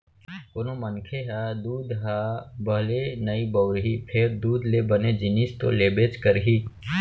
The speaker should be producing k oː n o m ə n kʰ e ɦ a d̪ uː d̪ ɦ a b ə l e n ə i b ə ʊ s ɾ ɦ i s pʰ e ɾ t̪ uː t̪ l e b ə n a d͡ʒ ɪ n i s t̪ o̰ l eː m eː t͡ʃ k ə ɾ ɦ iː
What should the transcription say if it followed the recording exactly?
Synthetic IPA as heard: k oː n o m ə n kʰ e ɦ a d̪ uː d̪ ɦ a b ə l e n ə i b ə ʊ ɾ ɦ i pʰ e ɾ d̪ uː d̪ l e b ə n e d͡ʒ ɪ n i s t̪ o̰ l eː b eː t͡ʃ k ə ɾ ɦ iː